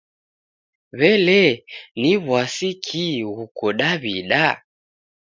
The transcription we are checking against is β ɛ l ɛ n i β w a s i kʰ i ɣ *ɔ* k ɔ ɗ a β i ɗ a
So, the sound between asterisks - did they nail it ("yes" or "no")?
no